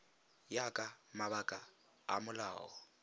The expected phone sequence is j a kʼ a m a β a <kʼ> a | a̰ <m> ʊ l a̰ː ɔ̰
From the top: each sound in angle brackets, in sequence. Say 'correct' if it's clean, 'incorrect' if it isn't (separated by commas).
correct, correct